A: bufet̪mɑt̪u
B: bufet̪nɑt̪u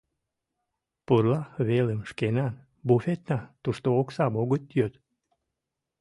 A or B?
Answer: B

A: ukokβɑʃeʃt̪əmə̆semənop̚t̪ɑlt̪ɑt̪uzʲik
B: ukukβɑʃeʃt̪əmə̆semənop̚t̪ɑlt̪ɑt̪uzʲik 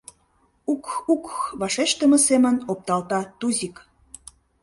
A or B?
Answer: B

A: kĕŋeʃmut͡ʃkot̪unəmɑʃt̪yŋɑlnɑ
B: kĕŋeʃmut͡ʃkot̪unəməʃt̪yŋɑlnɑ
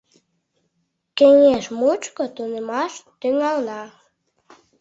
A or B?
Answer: A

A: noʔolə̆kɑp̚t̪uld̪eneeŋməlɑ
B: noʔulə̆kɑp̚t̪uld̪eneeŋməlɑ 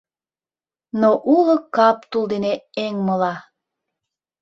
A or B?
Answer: B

